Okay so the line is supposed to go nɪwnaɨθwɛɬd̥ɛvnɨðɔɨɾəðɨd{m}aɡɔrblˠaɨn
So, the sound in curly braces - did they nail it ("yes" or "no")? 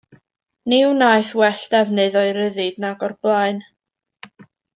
no